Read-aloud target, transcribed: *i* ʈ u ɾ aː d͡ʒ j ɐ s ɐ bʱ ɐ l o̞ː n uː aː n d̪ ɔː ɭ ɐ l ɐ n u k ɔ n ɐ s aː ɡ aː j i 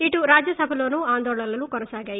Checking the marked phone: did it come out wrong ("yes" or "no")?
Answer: no